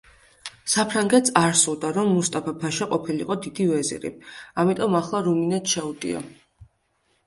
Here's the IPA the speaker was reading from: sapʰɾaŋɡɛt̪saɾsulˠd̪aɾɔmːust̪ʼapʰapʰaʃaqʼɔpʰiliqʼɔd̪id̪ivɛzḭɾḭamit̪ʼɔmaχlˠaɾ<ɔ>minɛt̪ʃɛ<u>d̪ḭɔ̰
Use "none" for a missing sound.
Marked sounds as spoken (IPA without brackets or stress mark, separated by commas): u, u